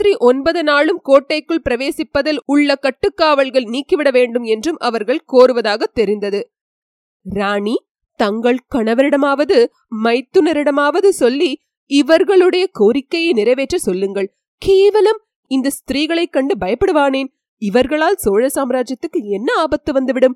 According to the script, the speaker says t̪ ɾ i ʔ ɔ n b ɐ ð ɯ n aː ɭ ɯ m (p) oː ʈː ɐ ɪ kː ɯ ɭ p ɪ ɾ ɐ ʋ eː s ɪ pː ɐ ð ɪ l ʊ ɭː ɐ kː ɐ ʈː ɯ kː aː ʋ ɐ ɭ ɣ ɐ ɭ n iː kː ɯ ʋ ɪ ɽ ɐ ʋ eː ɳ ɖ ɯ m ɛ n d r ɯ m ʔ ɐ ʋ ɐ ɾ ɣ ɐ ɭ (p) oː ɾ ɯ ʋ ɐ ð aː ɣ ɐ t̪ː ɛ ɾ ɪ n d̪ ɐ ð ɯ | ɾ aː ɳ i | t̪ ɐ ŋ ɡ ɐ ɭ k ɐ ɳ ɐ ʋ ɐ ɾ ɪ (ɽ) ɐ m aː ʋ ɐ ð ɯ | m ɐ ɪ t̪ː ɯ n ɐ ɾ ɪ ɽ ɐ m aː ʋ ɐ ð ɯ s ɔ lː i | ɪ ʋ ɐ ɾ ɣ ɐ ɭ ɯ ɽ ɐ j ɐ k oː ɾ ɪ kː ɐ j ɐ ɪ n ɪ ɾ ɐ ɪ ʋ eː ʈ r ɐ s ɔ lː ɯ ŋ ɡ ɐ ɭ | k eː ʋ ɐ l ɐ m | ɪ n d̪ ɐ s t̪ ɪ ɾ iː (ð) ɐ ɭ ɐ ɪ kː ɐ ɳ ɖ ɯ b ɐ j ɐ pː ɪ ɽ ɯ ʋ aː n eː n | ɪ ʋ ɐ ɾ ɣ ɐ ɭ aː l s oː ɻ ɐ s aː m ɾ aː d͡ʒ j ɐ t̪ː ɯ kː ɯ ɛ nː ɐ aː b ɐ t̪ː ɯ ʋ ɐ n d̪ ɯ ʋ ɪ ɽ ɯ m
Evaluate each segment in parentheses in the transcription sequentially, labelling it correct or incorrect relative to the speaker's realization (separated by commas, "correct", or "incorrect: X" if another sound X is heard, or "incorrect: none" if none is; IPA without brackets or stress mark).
incorrect: k, incorrect: k, correct, incorrect: ɣ